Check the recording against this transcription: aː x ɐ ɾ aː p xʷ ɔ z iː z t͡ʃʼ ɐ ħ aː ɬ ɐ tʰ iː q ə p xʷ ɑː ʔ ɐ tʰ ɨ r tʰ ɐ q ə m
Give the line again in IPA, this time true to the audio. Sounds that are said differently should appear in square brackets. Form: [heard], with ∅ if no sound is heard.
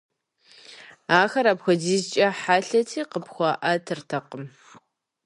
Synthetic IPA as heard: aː x ɐ ɾ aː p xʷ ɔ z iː z t͡ʃʼ ɐ ħ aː ɬ ɐ tʰ iː q ə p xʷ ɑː ʔ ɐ tʰ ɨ r tʰ ɐ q ə m